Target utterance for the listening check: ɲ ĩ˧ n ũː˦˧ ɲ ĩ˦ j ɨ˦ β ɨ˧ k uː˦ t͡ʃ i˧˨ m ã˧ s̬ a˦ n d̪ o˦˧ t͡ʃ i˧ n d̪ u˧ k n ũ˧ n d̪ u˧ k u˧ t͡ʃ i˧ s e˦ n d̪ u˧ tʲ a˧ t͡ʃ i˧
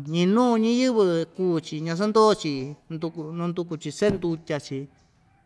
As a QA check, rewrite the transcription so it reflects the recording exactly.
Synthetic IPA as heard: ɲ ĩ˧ n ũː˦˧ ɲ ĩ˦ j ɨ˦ β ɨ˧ k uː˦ t͡ʃ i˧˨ ɲ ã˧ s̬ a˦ n d̪ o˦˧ t͡ʃ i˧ n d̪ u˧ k n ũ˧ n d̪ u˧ k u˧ t͡ʃ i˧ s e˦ n d̪ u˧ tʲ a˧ t͡ʃ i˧